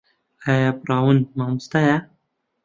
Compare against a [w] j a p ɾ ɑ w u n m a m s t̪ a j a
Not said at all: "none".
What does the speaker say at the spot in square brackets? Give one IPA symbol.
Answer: none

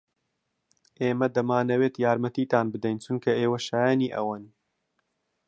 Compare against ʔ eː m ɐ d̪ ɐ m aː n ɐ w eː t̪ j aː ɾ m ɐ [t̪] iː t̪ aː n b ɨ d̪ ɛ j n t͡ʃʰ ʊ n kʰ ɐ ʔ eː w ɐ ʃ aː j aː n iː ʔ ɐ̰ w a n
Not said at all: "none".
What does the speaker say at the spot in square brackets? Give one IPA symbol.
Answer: t̪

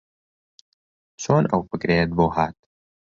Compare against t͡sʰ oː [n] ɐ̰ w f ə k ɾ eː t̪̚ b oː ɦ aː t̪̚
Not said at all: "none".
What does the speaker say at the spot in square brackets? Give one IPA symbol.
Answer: n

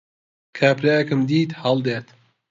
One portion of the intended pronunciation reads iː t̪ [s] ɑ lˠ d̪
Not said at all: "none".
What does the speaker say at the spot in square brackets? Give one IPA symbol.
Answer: h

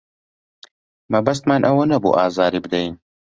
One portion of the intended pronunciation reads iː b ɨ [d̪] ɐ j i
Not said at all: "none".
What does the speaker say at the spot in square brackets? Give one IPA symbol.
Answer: d̪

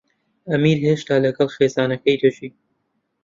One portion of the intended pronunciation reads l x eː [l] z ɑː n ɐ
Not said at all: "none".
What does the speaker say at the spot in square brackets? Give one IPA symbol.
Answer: none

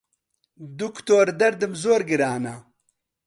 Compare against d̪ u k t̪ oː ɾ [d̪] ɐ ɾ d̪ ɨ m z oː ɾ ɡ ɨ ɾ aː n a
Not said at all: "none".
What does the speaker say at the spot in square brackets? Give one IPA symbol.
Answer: d̪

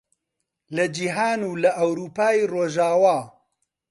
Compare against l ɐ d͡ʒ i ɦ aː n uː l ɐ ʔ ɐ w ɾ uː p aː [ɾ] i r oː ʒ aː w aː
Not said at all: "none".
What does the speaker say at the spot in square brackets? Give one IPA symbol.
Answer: none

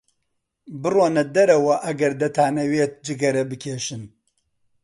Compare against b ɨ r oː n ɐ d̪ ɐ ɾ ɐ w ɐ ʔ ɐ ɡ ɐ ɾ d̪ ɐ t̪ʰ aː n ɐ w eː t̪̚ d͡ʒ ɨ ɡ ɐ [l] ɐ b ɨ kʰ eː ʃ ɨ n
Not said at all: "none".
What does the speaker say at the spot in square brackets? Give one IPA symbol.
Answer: ɾ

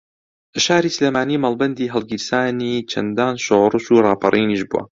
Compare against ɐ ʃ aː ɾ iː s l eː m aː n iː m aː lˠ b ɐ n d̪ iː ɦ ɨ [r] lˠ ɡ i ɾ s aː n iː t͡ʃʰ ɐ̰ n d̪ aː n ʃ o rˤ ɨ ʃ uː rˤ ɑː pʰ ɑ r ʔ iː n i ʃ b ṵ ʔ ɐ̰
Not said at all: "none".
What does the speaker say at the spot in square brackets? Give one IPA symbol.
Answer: none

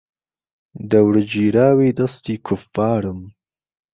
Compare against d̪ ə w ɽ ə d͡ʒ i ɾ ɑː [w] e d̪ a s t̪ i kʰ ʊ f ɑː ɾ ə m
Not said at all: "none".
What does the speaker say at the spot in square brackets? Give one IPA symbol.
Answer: w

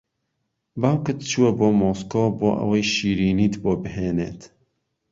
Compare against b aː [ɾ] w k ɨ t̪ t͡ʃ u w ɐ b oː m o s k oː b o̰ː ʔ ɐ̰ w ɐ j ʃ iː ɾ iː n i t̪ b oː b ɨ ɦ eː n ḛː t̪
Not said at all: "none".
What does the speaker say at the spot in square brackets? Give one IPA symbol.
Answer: none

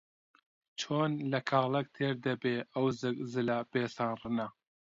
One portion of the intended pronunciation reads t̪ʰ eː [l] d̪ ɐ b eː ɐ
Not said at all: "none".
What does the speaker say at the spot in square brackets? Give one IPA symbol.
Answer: ɾ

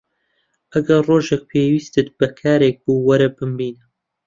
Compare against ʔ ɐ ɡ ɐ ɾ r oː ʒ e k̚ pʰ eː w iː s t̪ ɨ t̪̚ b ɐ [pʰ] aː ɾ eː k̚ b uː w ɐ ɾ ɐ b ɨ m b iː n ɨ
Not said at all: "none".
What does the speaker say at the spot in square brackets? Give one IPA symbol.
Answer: kʰ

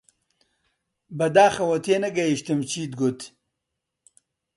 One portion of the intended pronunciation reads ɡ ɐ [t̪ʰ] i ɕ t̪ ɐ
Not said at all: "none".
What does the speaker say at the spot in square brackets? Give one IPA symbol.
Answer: none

